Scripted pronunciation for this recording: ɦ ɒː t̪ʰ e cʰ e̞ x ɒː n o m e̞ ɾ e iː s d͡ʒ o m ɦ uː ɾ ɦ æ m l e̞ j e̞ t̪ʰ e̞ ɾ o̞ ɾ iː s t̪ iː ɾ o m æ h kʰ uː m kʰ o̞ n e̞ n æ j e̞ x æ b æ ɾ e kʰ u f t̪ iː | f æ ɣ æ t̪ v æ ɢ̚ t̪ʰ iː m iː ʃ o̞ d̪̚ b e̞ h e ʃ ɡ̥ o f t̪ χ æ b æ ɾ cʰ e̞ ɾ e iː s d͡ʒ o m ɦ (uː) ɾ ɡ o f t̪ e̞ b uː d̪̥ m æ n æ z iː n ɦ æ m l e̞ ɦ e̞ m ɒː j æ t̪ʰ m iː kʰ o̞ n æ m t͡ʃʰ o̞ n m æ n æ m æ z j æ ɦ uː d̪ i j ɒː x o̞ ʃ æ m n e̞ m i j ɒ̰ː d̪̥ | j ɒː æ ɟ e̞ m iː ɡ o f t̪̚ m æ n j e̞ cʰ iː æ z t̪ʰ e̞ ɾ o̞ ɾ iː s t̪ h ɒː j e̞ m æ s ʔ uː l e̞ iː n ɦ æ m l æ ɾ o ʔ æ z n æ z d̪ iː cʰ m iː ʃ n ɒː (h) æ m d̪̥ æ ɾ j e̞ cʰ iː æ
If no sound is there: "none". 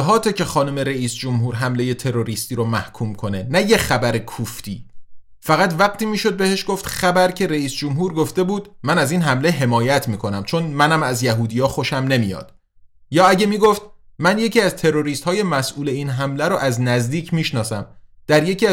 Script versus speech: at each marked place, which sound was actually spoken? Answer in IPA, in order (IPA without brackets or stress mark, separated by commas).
uː, s